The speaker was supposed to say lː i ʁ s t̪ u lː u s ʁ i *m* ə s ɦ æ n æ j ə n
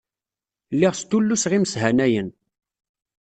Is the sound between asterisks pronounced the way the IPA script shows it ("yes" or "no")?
yes